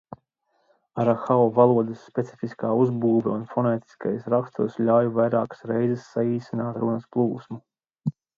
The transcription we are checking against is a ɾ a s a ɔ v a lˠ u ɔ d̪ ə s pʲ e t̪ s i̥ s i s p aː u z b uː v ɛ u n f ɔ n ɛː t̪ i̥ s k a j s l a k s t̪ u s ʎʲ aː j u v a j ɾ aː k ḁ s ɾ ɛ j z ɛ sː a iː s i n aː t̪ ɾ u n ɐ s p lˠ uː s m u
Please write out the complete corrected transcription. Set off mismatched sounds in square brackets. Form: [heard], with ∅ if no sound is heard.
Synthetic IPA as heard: a ɾ a [x] a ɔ v a lˠ u ɔ d̪ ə [sː] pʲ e t̪ s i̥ [f] i s [k] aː u z b uː v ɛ u n f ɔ n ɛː t̪ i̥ s k a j s [ɾ] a k s t̪ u s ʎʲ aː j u v a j ɾ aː k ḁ s ɾ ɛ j z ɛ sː a iː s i n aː t̪ ɾ u n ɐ s p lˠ uː s m u

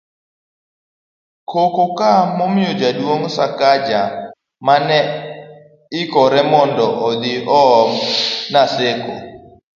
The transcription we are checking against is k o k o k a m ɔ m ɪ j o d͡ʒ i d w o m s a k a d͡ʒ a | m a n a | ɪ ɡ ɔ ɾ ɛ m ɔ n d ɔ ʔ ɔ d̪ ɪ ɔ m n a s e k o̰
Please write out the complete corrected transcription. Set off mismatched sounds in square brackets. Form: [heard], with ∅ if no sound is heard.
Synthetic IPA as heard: k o k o k a m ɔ m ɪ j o d͡ʒ [a] d w o [ŋ] s a k a d͡ʒ a | m a n [ɛ] | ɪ [k] ɔ ɾ ɛ m ɔ n d ɔ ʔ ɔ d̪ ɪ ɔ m n a s e k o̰

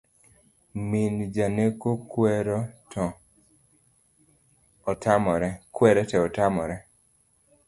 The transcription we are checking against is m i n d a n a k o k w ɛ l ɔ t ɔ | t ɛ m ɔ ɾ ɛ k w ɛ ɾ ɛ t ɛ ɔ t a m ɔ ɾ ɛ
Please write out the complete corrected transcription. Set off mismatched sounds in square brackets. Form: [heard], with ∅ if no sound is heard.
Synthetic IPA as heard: m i n [d͡ʒ] a n [e] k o k w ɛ [ɾ] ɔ t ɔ | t [a] m ɔ ɾ ɛ k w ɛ ɾ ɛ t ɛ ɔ t a m ɔ ɾ ɛ

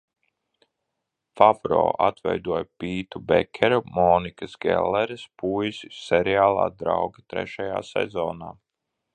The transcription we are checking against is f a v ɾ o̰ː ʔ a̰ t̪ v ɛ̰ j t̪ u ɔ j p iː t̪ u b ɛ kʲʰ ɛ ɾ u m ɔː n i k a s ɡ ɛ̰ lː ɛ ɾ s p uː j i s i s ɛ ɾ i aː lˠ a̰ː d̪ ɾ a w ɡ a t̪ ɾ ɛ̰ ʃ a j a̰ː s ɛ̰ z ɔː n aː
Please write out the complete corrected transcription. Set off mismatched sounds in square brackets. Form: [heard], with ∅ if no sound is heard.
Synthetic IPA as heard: f a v ɾ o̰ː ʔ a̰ t̪ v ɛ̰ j [d̪] u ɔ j p iː t̪ u b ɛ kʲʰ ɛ ɾ u m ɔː n i k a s ɡ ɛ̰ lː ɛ ɾ s p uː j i s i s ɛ ɾ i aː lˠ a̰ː d̪ ɾ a w ɡ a t̪ ɾ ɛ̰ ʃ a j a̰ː s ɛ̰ z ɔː n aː

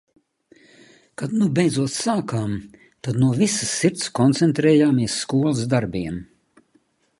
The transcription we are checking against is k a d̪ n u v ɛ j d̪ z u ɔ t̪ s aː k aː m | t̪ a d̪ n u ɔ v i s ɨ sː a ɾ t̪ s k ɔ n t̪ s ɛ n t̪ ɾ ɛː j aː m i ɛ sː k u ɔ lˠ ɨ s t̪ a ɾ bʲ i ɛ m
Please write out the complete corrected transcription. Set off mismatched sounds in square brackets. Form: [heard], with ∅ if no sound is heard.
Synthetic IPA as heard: k a d̪ n u [b] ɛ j d̪ z u ɔ t̪ s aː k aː m | t̪ a d̪ n u ɔ v i s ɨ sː [i] ɾ t̪ s k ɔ n t̪ s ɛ n t̪ ɾ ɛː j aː m i ɛ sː k u ɔ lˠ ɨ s [d̪] a ɾ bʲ i ɛ m

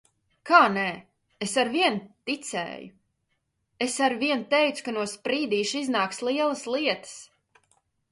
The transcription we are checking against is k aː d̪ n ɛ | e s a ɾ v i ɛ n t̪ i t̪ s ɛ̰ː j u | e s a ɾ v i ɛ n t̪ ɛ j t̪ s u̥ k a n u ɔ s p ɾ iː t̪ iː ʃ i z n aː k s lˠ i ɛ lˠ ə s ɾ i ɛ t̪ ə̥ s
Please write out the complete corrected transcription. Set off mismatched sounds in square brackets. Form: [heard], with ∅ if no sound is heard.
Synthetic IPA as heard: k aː [∅] n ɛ | e s a ɾ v i ɛ n t̪ i t̪ s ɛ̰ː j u | e s a ɾ v i ɛ n t̪ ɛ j t̪ s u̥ k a n u ɔ s p ɾ iː [d̪] iː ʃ i z n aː k s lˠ i ɛ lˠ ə s [l] i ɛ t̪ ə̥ s

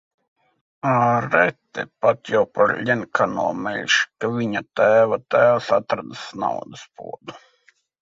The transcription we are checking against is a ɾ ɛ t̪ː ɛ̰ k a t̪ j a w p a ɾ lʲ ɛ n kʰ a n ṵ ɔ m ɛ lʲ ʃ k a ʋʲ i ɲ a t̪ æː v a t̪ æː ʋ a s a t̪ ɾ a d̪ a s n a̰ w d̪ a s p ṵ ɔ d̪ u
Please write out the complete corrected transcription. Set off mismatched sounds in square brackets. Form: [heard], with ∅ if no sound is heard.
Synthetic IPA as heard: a ɾ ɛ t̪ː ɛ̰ [p] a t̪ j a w p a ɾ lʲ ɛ n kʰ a n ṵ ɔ m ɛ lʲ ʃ k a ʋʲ i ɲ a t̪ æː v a t̪ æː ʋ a s a t̪ ɾ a d̪ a s n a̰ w d̪ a s p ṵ ɔ d̪ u

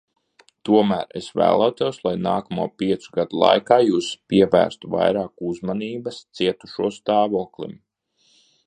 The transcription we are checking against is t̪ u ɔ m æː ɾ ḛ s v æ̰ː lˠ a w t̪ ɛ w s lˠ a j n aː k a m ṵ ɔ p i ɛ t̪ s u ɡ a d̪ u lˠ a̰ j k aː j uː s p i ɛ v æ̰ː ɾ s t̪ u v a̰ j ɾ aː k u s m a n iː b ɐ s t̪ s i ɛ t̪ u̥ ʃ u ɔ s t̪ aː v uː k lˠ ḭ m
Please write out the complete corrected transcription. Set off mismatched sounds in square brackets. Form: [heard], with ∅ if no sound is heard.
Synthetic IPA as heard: t̪ u ɔ m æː ɾ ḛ s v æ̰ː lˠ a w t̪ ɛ w s lˠ a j n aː k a m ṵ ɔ p i ɛ t̪ s u ɡ a d̪ u lˠ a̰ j k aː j uː s p i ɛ v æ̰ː ɾ s t̪ u v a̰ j ɾ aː k u [z] m a n iː b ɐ s t̪ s i ɛ t̪ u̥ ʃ u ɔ s t̪ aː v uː k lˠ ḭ m

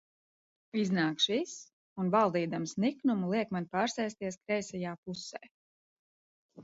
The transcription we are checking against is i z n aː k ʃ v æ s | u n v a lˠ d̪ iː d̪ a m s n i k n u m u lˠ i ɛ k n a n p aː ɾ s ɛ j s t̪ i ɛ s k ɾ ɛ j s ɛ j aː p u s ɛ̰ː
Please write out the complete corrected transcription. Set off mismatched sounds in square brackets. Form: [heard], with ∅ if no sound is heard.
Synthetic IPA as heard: i z n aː k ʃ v [i] s | u n v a lˠ d̪ iː d̪ a m s n i k n u m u lˠ i ɛ k [m] a n p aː ɾ s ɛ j s t̪ i ɛ s k ɾ ɛ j s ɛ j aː p u s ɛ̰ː

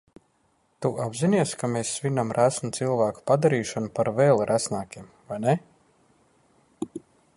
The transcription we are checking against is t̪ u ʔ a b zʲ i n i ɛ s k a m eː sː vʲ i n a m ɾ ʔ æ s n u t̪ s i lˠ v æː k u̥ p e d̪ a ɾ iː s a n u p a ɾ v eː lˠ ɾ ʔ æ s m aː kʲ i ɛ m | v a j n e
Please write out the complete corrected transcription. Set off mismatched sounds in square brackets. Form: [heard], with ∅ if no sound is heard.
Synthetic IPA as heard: t̪ u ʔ a b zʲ i n i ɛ s k a m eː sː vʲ i n a m ɾ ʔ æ s n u t̪ s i lˠ v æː k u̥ p [a] d̪ a ɾ iː [ʃ] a n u p a ɾ v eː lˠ ɾ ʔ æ s [n] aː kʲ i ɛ m | v a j n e

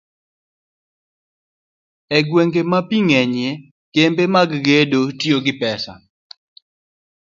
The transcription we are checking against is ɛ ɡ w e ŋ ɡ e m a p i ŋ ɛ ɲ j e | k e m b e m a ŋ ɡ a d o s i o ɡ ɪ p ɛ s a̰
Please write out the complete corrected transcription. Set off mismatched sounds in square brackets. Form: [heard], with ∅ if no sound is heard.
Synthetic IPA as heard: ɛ ɡ w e ŋ ɡ e m a p i ŋ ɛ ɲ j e | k e m b e m a [ɡ] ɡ [e] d o [t] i o ɡ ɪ p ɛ s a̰

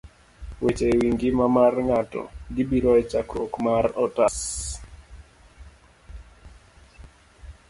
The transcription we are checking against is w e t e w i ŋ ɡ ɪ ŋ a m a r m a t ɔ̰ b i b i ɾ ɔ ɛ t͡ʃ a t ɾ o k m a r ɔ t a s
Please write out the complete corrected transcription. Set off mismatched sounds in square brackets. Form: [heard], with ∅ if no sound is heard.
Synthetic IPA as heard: w e [t͡ʃ] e w i ŋ ɡ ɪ [m] a m a r [ŋ] a t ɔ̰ [ɡ] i b i ɾ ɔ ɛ t͡ʃ a [k] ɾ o k m a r ɔ t a s

